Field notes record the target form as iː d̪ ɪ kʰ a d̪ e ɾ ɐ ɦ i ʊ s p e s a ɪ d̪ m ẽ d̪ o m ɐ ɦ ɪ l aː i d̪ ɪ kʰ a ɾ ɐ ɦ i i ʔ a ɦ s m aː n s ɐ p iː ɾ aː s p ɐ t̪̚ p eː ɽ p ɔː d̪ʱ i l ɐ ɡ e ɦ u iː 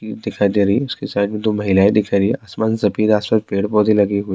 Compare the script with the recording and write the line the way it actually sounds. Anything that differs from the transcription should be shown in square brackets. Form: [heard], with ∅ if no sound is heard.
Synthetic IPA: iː d̪ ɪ kʰ a d̪ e ɾ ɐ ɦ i ʊ s [k] e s a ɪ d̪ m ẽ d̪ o m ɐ ɦ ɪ l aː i d̪ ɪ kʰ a ɾ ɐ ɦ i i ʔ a [∅] s m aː n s ɐ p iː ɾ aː s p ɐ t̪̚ p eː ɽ p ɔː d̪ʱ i l ɐ ɡ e ɦ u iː